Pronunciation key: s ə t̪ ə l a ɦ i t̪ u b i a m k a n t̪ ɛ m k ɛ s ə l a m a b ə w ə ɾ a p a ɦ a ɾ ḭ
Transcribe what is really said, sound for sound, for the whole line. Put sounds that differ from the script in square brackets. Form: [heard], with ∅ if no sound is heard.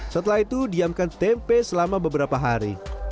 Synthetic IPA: s ə t̪ ə l a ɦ i t̪ u [d] i a m k a n t̪ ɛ m [p] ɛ s ə l a m a b ə [b] ə ɾ a p a ɦ a ɾ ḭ